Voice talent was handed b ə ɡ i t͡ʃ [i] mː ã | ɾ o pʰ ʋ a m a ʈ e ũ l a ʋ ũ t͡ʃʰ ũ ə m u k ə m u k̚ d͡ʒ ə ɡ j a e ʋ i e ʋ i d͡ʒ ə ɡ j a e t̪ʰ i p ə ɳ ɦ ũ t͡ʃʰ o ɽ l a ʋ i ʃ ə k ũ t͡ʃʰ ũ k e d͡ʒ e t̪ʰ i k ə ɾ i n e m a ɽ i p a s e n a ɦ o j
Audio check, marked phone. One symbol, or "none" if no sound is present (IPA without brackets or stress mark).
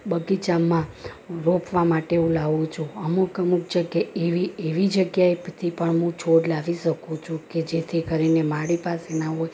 a